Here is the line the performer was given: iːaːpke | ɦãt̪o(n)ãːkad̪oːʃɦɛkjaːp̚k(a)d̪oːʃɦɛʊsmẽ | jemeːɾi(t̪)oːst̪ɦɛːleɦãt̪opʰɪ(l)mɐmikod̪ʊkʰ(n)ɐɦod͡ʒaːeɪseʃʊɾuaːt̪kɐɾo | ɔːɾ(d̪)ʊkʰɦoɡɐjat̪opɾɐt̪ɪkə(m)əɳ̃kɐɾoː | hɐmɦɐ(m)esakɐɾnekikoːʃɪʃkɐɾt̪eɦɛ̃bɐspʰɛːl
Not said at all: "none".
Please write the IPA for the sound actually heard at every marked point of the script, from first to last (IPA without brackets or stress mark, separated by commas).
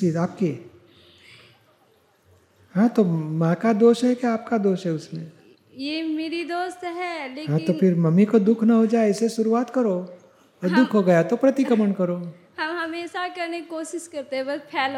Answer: m, a, d̪, ɾ, n, d̪, m, m